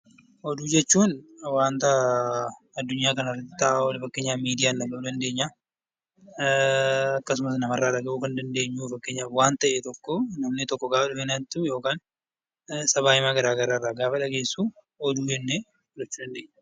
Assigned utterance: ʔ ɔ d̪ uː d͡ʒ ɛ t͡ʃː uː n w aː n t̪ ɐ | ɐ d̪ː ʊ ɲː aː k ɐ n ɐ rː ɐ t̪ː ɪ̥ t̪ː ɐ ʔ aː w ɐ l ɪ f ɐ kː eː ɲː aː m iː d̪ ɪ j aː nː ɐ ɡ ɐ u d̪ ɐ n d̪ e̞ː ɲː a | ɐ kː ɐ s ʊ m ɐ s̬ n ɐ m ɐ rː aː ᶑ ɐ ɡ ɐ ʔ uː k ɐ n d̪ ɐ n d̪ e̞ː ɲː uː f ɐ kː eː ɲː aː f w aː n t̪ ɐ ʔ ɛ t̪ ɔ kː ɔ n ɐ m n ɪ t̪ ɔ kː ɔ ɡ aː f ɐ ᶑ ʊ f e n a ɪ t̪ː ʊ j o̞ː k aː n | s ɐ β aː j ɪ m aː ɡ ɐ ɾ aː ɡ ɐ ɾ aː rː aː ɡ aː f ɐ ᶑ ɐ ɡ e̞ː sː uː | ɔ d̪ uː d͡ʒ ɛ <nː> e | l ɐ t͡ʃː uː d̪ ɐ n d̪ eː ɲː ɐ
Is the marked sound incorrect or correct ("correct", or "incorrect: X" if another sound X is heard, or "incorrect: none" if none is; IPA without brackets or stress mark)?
correct